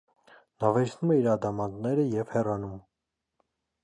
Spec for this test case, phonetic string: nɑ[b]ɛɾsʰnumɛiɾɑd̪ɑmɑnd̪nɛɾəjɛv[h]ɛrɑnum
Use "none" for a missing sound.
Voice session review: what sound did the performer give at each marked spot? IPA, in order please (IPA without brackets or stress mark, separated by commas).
v, h